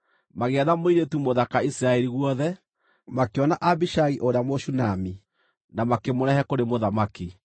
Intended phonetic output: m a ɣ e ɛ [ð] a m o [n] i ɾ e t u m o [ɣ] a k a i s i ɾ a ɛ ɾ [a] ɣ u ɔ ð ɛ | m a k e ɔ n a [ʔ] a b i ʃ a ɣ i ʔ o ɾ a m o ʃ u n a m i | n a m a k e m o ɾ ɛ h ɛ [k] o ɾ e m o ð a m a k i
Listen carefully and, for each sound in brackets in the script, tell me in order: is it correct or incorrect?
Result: correct, incorrect: none, incorrect: ð, incorrect: i, correct, correct

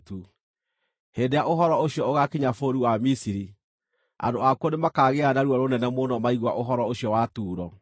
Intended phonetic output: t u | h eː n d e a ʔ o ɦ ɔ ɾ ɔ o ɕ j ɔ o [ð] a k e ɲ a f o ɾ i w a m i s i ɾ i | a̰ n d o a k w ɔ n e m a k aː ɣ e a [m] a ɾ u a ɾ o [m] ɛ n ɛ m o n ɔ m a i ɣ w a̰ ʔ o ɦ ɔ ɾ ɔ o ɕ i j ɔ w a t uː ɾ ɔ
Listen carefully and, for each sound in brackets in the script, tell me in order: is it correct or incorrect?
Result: incorrect: ɣ, incorrect: n, incorrect: n

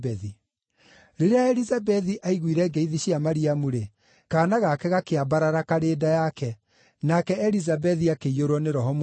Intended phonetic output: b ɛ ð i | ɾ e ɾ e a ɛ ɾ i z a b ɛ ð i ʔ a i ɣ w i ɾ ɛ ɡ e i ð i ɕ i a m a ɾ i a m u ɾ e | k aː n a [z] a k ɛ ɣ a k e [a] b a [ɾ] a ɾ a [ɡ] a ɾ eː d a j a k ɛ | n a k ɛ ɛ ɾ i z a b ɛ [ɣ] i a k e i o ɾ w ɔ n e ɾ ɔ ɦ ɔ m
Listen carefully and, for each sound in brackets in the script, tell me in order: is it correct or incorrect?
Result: incorrect: ɣ, correct, correct, incorrect: k, incorrect: ð

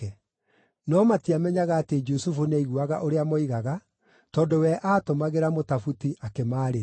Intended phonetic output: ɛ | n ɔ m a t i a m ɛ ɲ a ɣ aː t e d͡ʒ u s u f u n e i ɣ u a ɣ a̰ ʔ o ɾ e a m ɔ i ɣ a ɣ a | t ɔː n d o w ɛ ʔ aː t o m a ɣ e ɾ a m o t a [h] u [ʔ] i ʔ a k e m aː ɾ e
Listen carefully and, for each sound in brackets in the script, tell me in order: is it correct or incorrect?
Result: incorrect: f, incorrect: t

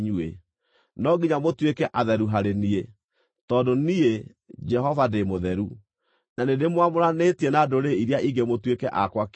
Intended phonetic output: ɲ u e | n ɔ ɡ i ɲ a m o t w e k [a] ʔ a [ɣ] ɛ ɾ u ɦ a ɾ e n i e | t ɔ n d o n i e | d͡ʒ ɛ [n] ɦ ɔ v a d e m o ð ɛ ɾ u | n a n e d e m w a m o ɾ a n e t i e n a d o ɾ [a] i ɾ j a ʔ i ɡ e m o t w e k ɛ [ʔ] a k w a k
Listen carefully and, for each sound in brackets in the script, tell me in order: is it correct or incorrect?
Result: incorrect: ɛ, incorrect: ð, incorrect: none, incorrect: e, correct

